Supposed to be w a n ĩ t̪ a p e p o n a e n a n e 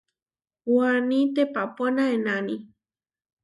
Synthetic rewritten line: w a n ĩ t̪ e p a p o n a e n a n i

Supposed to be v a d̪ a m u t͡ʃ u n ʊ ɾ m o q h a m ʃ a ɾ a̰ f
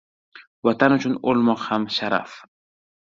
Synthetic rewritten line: w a t̪ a n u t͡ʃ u n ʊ l m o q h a m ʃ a ɾ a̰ f

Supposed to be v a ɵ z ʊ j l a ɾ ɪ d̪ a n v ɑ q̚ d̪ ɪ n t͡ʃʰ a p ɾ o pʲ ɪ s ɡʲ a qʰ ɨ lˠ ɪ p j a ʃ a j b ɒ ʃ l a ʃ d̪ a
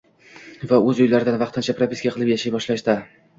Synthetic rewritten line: v a ɵ z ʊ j l a ɾ ɪ d̪ a n v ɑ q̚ t̪ ɪ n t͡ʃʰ a p ɾ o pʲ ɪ s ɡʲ a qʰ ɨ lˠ ɪ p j a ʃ a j b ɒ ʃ l a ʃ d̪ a

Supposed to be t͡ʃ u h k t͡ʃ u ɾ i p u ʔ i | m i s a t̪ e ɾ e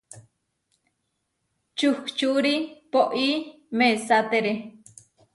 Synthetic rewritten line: t͡ʃ u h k t͡ʃ u ɾ i p o ʔ i | m e s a t̪ e ɾ e

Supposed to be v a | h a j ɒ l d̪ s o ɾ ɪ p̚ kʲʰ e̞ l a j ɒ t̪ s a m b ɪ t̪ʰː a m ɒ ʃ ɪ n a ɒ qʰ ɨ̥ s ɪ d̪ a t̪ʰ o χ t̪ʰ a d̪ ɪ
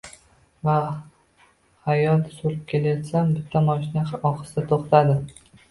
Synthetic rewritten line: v a | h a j ɒ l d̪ s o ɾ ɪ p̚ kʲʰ e̞ l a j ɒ t̪ s a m b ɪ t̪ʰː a m ɒ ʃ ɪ n a ɒ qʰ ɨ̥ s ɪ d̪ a t̪ʰ o χ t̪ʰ a d̪ ɪ

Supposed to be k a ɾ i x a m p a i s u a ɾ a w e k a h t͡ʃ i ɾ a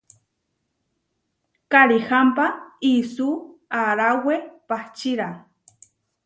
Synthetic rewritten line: k a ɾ i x a m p a i s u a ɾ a w e p a h t͡ʃ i ɾ a

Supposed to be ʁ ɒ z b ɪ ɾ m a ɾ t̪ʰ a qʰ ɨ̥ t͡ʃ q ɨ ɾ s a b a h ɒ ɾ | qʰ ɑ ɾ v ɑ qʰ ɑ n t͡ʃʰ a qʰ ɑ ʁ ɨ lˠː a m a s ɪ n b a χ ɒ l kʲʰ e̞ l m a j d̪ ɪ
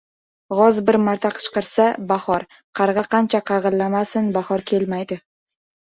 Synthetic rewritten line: ʁ ɒ z b ɪ ɾ m a ɾ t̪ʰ a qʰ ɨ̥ t͡ʃ q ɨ ɾ s a b a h ɒ ɾ | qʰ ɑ ɾ ʁ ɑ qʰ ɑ n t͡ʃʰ a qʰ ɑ ʁ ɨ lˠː a m a s ɪ n b a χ ɒ ɾ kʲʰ e̞ l m a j d̪ ɪ

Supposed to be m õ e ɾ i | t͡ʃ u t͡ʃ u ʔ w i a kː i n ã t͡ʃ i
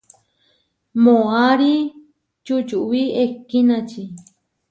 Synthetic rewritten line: m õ a ɾ i | t͡ʃ u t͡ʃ u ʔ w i e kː i n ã t͡ʃ i

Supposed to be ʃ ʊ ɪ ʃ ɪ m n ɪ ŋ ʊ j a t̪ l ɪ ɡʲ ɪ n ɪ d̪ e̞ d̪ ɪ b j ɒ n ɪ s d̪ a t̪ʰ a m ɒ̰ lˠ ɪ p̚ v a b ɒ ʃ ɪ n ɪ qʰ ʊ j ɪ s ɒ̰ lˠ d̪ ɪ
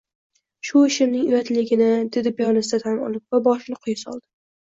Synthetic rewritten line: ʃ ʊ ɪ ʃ ɪ m n ɪ ŋ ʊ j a t̪ l ɪ ɡʲ ɪ n ɪ d̪ e̞ d̪ ɪ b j ɒ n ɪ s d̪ a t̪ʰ a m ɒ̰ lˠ ɪ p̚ v a b ɒ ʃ ɪ n ɪ qʰ ʊ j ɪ s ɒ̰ lˠ d̪ ɪ

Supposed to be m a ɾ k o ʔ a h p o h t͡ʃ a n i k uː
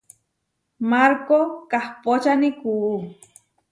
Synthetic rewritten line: m a ɾ k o k a h p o t͡ʃ a n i k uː

